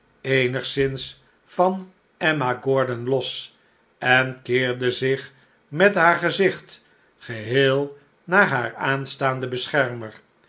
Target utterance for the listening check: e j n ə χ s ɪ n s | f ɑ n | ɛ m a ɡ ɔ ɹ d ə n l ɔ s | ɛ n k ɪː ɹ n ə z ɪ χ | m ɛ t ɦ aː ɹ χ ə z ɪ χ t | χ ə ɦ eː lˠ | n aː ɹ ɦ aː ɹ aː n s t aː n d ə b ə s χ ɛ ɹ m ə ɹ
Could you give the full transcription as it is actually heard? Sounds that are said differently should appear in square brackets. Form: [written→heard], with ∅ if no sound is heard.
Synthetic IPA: e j n ə χ s ɪ n s | f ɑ n | ɛ m a ɡ ɔ ɹ d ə n l ɔ s | ɛ n k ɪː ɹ [n→d] ə z ɪ χ | m ɛ t ɦ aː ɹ χ ə z ɪ χ t | χ ə ɦ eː lˠ | n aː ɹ ɦ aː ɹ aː n s t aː n d ə b ə s χ ɛ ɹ m ə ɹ